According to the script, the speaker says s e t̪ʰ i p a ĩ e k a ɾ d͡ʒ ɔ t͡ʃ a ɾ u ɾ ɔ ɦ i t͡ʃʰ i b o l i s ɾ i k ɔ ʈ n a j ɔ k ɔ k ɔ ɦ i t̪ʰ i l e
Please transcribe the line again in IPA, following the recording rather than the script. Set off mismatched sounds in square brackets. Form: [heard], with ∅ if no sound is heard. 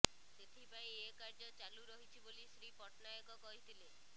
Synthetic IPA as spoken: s e t̪ʰ i p a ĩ e k a ɾ d͡ʒ ɔ t͡ʃ a [l] u ɾ ɔ ɦ i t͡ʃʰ i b o l i s ɾ i [p] ɔ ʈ n a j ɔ k ɔ k ɔ ɦ i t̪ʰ i l e